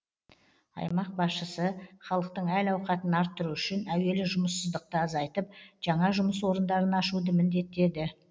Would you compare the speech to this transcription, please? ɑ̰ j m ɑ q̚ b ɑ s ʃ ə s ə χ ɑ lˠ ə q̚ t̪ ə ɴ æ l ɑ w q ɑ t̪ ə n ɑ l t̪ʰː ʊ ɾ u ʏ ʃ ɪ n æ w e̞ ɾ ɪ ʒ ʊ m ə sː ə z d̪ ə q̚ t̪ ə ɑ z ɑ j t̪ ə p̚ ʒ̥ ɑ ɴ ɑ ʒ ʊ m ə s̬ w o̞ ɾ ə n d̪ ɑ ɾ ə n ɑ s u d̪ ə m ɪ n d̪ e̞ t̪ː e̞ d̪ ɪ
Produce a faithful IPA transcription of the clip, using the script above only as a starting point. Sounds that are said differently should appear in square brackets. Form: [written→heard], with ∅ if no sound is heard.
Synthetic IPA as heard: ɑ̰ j m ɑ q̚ b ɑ s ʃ ə s ə χ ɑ lˠ ə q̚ t̪ ə ɴ æ l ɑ w q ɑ t̪ ə n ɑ [l→ɾ] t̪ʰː ʊ ɾ u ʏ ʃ ɪ n æ w e̞ [ɾ→l] ɪ ʒ ʊ m ə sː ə z d̪ ə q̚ t̪ ə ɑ z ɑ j t̪ ə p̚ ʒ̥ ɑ ɴ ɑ ʒ ʊ m ə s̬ w o̞ ɾ ə n d̪ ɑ ɾ ə n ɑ [s→ʃ] u d̪ ə m ɪ n d̪ e̞ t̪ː e̞ d̪ ɪ

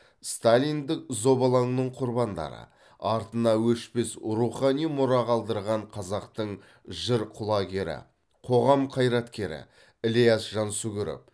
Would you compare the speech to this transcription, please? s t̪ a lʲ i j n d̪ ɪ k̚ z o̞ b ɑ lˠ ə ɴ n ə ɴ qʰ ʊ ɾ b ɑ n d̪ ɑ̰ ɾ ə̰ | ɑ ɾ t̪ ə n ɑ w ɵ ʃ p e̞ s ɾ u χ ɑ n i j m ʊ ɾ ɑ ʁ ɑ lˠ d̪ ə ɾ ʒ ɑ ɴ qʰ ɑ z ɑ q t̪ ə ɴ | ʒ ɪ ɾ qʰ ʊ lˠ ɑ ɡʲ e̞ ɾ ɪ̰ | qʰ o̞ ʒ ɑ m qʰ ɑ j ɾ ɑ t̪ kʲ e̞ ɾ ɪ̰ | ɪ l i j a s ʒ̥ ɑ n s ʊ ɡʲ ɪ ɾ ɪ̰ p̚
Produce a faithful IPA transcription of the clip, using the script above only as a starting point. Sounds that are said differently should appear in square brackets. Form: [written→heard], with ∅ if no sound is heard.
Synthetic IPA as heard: s t̪ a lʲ i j n d̪ ɪ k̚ z o̞ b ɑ lˠ [ə→ɑ] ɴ n ə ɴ qʰ ʊ ɾ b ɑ n d̪ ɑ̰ ɾ ə̰ | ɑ ɾ t̪ ə n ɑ w ɵ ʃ p e̞ s ɾ u χ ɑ n i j m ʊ ɾ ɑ ʁ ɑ lˠ d̪ ə ɾ [ʒ→ʁ] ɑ ɴ qʰ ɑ z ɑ q t̪ ə ɴ | ʒ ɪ ɾ qʰ ʊ lˠ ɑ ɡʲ e̞ ɾ ɪ̰ | qʰ o̞ [ʒ→ʁ] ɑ m qʰ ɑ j ɾ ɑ t̪ kʲ e̞ ɾ ɪ̰ | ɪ l i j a s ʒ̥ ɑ n s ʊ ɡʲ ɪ ɾ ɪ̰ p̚

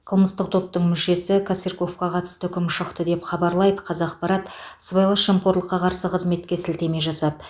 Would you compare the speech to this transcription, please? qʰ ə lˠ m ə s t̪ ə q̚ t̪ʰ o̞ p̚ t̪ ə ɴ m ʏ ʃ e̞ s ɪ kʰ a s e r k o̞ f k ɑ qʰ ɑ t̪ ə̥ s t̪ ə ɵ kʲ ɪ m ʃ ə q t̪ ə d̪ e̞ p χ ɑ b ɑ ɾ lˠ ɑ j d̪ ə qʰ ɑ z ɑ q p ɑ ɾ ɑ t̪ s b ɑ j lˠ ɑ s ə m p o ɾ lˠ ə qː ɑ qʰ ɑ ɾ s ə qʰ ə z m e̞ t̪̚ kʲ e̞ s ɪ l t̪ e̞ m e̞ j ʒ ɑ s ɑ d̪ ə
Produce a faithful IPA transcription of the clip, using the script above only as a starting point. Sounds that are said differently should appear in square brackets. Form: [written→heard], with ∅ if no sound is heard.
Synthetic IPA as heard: qʰ ə lˠ m ə s t̪ ə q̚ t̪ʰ o̞ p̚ t̪ ə ɴ m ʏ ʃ e̞ s ɪ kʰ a s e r k o̞ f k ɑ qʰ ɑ t̪ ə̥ s t̪ ə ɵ kʲ ɪ m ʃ ə q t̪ ə d̪ e̞ p χ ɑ b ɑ ɾ lˠ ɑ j d̪ ə qʰ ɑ z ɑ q p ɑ ɾ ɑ t̪ s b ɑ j lˠ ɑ [s→ʃ] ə m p o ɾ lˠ ə qː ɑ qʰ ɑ ɾ s ə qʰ ə z m e̞ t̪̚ kʲ e̞ s ɪ l t̪ e̞ m e̞ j ʒ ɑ s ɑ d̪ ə

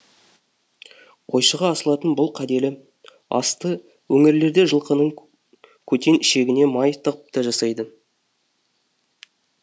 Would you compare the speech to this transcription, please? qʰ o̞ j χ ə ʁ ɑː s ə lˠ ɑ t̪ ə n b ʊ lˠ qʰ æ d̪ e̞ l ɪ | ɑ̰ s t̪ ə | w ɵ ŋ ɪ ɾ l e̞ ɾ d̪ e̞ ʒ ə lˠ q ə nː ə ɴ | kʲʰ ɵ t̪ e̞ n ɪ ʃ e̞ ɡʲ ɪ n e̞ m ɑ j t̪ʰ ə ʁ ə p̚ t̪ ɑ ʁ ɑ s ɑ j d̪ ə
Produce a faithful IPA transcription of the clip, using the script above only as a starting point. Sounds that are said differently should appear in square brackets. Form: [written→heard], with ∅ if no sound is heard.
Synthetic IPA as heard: qʰ o̞ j [χ→ʃ] ə ʁ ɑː s ə lˠ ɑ t̪ ə n b ʊ lˠ qʰ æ d̪ e̞ l ɪ | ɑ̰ s t̪ ə | w ɵ ŋ ɪ ɾ l e̞ ɾ d̪ e̞ ʒ ə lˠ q ə [nː→n] ə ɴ | kʲʰ ɵ t̪ e̞ n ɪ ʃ e̞ ɡʲ ɪ n e̞ m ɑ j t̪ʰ ə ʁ ə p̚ t̪ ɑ [ʁ→ʒ] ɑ s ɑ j d̪ ə

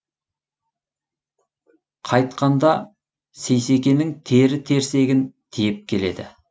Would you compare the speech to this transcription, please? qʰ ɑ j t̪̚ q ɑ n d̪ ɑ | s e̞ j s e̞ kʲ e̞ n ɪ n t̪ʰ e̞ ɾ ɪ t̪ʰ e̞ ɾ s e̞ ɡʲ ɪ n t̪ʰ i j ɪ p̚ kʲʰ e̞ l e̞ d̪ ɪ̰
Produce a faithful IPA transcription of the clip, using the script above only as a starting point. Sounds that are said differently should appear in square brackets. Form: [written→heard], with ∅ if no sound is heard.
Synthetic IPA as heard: qʰ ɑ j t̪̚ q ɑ n d̪ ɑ | s e̞ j s e̞ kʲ e̞ n ɪ [n→ŋ] t̪ʰ e̞ ɾ ɪ t̪ʰ e̞ ɾ s e̞ ɡʲ ɪ n t̪ʰ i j ɪ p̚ kʲʰ e̞ l e̞ d̪ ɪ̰

